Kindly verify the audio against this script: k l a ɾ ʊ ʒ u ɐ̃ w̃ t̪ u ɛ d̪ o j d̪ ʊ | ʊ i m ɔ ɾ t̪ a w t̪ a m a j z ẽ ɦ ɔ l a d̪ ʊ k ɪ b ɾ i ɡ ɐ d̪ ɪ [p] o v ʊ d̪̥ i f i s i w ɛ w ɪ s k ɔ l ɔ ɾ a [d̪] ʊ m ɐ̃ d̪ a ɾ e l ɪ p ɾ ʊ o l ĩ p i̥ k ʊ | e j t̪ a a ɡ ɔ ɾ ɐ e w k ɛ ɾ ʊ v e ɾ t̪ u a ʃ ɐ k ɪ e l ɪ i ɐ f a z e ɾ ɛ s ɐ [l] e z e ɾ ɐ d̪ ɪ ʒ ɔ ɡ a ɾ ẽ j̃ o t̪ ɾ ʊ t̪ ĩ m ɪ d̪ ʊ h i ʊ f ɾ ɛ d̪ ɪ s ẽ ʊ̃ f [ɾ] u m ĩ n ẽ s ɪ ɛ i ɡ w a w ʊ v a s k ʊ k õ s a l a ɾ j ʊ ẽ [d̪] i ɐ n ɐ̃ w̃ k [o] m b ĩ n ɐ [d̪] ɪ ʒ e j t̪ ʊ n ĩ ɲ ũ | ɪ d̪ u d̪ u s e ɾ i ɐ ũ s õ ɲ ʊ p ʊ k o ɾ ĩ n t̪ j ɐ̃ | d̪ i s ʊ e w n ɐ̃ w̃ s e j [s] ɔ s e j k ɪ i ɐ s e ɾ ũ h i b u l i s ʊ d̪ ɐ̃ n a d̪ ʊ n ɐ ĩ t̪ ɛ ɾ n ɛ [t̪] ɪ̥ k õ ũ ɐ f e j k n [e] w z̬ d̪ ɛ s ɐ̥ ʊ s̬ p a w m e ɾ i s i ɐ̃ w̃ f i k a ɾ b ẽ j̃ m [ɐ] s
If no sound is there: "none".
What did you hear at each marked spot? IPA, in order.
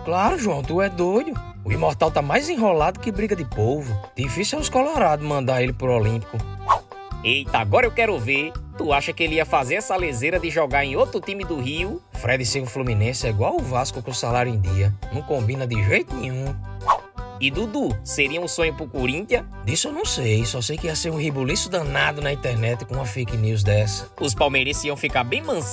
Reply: p, d̪, l, l, d̪, õ, d̪, s, t̪, i, ɐ̃

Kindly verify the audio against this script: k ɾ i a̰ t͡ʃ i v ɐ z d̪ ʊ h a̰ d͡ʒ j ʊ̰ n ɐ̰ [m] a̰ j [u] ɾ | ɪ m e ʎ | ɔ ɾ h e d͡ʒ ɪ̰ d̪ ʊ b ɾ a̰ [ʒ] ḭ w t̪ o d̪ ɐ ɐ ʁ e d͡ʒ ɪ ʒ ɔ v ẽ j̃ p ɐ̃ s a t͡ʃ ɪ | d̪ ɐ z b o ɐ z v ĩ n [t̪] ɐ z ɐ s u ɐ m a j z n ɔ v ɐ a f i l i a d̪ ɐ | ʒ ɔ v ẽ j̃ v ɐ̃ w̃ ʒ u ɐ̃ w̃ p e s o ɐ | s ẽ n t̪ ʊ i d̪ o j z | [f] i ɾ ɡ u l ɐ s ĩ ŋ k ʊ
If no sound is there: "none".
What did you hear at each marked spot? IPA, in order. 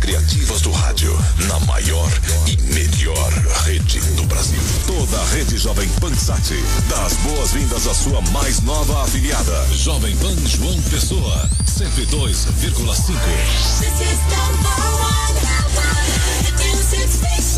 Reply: m, ɔ, z, d̪, v

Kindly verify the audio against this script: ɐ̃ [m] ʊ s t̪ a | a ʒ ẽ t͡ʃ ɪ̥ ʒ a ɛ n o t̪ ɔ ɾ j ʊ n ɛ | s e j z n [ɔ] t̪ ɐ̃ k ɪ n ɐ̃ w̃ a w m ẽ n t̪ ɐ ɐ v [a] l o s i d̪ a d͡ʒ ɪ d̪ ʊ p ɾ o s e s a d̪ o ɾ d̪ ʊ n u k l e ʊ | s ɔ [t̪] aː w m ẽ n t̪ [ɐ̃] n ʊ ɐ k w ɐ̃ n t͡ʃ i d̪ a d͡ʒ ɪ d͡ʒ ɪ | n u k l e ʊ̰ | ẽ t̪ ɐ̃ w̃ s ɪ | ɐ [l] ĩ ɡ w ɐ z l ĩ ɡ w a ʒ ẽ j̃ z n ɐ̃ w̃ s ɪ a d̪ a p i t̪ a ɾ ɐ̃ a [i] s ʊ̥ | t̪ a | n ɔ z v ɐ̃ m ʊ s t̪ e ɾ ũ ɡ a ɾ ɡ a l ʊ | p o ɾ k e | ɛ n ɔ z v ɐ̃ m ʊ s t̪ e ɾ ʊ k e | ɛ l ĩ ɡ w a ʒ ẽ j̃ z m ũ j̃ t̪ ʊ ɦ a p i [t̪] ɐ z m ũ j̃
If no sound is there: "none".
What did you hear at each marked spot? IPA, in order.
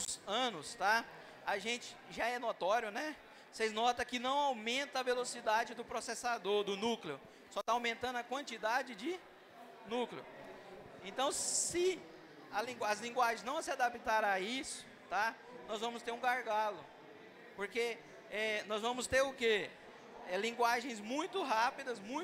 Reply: n, ɔ, e, t̪, ɐ̃, l, i, d̪

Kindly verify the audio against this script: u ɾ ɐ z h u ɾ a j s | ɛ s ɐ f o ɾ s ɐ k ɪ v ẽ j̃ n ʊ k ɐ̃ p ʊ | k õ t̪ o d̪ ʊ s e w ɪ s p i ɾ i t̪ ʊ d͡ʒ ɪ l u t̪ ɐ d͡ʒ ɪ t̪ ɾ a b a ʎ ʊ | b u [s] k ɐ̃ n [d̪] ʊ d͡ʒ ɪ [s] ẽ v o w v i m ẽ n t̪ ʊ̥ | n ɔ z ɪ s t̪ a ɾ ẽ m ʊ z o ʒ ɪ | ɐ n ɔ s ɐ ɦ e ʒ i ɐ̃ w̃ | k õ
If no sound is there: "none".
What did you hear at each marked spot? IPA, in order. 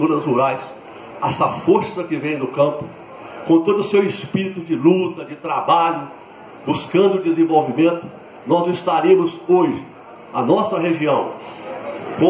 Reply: s, d̪, z

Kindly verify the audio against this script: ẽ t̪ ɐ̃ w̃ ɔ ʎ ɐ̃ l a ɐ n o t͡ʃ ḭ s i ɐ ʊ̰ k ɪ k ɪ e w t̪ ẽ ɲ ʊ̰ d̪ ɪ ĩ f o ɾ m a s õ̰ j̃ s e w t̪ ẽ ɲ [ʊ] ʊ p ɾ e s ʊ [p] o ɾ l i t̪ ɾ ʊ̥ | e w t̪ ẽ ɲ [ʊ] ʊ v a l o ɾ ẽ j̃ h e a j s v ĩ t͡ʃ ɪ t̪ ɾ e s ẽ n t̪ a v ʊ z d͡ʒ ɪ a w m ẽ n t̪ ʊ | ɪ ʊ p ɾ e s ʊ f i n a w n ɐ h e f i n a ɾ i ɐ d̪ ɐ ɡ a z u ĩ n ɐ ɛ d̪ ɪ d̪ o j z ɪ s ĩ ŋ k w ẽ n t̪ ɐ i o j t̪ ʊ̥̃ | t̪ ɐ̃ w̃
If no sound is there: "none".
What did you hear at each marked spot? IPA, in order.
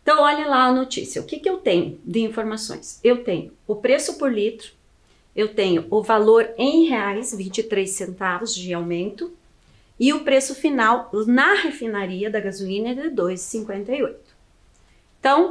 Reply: ʊ, p, ʊ

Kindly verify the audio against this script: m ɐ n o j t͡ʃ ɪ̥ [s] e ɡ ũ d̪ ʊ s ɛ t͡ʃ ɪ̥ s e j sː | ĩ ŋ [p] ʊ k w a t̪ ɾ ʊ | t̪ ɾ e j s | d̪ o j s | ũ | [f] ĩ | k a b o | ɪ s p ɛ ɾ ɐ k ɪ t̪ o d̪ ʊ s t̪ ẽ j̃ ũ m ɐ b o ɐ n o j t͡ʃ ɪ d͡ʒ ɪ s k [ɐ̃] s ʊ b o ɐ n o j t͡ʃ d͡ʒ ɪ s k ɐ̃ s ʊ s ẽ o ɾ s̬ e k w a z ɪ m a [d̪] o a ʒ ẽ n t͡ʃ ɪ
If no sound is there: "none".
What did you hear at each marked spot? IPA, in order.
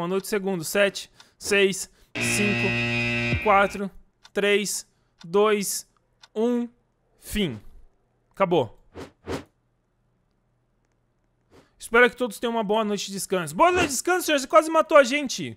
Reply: s, k, f, ɐ̃, t̪

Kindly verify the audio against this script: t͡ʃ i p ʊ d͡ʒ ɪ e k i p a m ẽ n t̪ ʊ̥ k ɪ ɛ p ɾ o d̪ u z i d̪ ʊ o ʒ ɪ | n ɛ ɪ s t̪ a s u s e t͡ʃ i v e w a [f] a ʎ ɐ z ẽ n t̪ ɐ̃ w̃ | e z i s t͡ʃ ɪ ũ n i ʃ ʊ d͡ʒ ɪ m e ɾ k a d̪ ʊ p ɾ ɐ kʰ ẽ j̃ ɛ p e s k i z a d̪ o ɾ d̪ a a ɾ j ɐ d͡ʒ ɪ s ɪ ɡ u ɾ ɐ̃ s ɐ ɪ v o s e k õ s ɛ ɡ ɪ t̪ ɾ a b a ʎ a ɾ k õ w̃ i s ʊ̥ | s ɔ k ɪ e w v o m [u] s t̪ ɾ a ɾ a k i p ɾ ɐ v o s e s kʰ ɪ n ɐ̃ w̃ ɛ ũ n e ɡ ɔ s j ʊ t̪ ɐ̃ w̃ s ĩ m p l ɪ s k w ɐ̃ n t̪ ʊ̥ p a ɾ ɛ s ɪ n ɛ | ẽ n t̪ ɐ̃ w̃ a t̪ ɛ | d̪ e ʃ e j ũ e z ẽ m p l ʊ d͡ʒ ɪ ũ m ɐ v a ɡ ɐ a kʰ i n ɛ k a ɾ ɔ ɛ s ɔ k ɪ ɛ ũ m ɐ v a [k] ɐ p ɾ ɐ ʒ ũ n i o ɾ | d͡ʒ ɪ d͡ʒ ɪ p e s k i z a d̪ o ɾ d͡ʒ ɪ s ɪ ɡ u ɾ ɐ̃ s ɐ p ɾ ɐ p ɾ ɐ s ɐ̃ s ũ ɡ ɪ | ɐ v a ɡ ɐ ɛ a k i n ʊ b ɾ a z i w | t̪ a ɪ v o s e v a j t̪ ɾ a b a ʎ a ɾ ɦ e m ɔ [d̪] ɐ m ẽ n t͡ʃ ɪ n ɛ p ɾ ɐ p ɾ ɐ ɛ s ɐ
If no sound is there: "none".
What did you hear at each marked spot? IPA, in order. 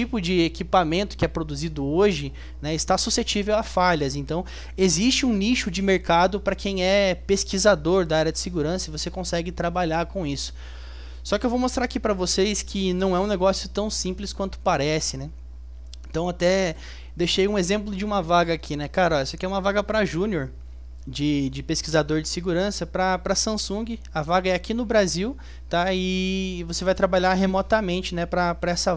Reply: f, o, ɡ, t̪

